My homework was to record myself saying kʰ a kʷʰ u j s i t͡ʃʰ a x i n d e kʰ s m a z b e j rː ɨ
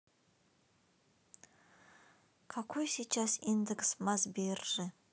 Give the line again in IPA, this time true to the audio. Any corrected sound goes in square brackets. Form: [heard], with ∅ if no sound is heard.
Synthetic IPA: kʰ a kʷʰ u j s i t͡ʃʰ a [s] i n d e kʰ s m a z b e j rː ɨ